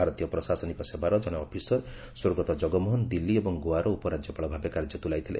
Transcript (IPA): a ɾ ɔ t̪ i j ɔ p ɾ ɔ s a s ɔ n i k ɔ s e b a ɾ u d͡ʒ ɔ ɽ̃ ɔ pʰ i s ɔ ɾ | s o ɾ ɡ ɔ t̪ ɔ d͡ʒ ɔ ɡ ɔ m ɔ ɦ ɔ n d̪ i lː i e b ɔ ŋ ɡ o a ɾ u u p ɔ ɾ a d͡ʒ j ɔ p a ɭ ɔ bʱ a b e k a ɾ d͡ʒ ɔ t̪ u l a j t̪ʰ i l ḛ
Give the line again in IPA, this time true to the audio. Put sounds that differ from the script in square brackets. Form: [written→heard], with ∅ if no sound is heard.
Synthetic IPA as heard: a ɾ ɔ t̪ i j ɔ p ɾ ɔ s a s ɔ n i k ɔ s e b a ɾ [u→ɔ] d͡ʒ ɔ ɽ̃ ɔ pʰ i s ɔ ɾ | s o ɾ ɡ ɔ t̪ ɔ d͡ʒ ɔ ɡ ɔ m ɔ ɦ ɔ n d̪ i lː i e b ɔ ŋ ɡ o a ɾ [u→ɔ] u p ɔ ɾ a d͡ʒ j ɔ p a ɭ ɔ bʱ a b e k a ɾ d͡ʒ ɔ t̪ u l a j t̪ʰ i l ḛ